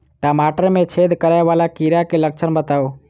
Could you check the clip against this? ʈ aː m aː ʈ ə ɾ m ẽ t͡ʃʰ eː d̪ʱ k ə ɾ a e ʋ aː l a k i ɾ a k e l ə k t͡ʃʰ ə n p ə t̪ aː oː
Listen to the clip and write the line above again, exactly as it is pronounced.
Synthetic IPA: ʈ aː m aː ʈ ə ɾ m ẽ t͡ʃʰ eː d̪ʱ k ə ɾ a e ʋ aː l a k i ɾ a k e l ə k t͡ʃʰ ə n b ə t̪ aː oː